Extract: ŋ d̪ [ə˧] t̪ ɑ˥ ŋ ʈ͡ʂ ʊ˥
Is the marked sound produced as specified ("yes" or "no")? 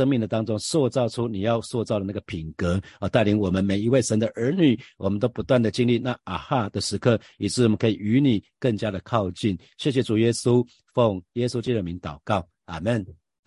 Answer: no